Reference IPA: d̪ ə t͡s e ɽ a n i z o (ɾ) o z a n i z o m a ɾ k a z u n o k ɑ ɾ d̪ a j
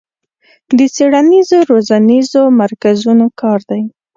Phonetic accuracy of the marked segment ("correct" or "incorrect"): correct